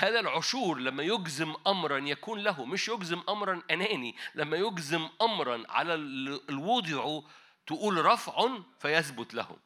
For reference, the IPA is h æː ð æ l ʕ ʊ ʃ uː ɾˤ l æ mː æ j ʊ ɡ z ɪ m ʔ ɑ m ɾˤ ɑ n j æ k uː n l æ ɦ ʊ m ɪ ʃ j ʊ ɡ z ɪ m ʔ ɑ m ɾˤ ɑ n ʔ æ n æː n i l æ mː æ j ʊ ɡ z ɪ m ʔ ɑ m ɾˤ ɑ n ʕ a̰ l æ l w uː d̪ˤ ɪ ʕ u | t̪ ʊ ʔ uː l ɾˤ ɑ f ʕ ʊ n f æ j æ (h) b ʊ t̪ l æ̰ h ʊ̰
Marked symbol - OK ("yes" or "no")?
no